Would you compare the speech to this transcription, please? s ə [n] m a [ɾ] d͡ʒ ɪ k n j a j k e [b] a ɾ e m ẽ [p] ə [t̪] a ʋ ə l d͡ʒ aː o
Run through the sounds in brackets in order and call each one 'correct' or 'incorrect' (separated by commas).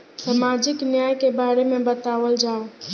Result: incorrect, incorrect, correct, incorrect, correct